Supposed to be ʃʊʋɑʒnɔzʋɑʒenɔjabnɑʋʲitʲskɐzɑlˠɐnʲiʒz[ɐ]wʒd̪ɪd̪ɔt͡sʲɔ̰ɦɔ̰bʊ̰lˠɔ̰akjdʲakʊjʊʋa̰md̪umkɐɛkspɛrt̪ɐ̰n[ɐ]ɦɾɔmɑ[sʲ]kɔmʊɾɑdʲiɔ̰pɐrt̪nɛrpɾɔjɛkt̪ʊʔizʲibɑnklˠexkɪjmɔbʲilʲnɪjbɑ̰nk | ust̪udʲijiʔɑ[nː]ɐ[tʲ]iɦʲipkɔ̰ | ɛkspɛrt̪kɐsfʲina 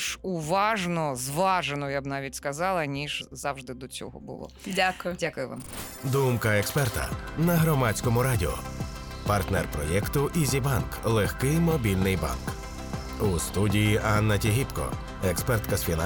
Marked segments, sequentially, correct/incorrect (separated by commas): incorrect, correct, incorrect, correct, correct